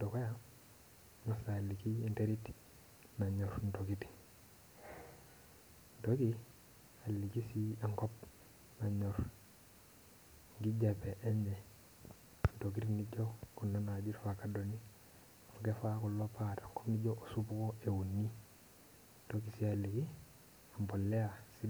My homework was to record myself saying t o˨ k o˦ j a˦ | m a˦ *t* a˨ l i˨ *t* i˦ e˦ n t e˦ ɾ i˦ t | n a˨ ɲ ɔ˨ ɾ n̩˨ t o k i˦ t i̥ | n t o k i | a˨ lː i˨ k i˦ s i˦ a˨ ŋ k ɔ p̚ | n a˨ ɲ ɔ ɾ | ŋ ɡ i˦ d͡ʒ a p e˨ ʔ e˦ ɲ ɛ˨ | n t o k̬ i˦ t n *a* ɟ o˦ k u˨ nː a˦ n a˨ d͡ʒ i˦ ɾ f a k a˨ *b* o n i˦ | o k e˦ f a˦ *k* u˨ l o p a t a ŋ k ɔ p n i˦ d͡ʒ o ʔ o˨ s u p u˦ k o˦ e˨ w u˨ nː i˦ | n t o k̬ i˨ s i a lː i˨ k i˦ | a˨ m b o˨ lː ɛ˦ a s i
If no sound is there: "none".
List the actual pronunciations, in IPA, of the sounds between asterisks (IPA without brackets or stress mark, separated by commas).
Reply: s, k, i, d, k